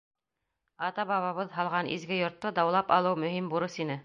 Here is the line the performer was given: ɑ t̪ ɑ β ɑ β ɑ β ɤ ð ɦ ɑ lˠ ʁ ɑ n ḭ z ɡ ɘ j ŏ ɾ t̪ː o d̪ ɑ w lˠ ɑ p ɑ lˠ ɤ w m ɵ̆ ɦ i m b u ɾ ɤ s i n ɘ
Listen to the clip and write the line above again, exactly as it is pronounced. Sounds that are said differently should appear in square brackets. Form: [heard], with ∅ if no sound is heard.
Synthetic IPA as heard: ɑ t̪ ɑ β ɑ β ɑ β ɤ ð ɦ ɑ lˠ ʁ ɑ n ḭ z ɡ ɘ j ŏ ɾ t̪ː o d̪ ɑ w lˠ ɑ p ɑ lˠ ɤ w m ɵ̆ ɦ i m b u ɾ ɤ s i n ɘ